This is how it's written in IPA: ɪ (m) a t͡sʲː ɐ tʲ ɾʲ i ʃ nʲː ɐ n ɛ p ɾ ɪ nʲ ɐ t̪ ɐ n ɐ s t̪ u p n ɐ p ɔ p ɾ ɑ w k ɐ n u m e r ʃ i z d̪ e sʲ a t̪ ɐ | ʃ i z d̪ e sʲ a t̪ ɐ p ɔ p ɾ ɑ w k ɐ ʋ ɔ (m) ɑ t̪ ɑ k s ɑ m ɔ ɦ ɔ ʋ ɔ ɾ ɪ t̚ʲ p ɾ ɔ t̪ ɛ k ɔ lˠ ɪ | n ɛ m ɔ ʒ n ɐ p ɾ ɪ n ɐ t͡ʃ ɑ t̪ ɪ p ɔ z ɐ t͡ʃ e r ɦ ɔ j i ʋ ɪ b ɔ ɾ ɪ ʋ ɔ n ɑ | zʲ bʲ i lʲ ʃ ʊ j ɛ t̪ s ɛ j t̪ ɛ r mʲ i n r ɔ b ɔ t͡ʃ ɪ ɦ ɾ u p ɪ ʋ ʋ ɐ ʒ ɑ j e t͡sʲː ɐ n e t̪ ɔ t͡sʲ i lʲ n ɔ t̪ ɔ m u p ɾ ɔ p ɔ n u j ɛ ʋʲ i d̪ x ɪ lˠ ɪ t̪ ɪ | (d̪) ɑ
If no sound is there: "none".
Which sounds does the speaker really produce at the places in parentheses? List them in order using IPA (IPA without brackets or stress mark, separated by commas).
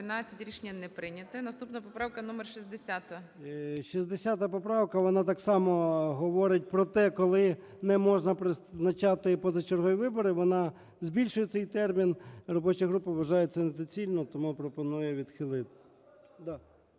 n, n, d̪